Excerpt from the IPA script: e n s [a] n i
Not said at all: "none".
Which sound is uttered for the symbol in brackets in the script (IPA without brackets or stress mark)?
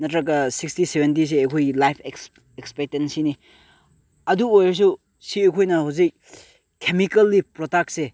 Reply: i